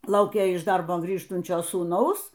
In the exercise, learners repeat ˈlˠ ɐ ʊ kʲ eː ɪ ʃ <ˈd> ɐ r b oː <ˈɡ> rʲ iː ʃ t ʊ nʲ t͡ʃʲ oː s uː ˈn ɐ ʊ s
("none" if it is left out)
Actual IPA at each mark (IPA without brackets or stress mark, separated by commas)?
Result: d, ɡ